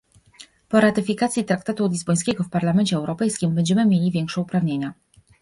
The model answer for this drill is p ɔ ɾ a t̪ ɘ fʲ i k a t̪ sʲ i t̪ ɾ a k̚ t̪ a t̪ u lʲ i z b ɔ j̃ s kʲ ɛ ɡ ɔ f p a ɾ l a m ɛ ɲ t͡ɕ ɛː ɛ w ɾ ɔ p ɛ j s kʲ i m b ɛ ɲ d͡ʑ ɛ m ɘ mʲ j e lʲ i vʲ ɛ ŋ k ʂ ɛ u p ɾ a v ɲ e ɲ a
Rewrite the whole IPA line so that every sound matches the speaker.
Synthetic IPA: p ɔ ɾ a t̪ ɘ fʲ i k a t̪ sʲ i t̪ ɾ a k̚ t̪ a t̪ u lʲ i z b ɔ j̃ s kʲ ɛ ɡ ɔ f p a ɾ l a m ɛ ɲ t͡ɕ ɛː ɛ w ɾ ɔ p ɛ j s kʲ i m b ɛ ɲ d͡ʑ ɛ m ɘ mʲ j e lʲ i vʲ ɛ ŋ k ʂ ɛ u p ɾ a v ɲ e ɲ a

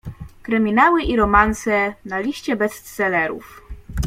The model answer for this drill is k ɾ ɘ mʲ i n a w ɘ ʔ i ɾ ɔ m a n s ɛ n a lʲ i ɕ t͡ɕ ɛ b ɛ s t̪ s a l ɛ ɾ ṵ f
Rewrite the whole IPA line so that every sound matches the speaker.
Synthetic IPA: k ɾ ɘ mʲ i n a w ɘ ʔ i ɾ ɔ m a n s ɛ n a lʲ i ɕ t͡ɕ ɛ b ɛ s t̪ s ɛ l ɛ ɾ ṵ f

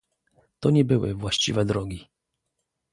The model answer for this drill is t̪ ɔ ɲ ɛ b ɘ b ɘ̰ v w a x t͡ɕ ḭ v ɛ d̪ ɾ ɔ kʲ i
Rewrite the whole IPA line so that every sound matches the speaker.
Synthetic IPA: t̪ ɔ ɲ ɛ b ɘ w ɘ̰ v w a ɕ t͡ɕ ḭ v ɛ d̪ ɾ ɔ ɡʲ i

